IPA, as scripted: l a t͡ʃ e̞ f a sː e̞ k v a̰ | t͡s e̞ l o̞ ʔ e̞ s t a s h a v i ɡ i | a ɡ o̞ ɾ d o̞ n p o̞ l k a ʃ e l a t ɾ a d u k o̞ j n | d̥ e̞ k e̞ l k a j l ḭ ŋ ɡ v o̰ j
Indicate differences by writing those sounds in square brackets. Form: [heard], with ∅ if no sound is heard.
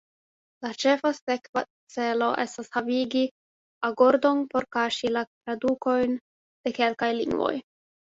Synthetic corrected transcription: l a t͡ʃ e̞ f a [s] e̞ k v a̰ | t͡s e̞ l o̞ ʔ e̞ s t a s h a v i ɡ i | a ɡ o̞ ɾ d o̞ n p o̞ [ɾ] k a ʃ [i] l a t ɾ a d u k o̞ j n | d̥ e̞ k e̞ l k a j l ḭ ŋ ɡ v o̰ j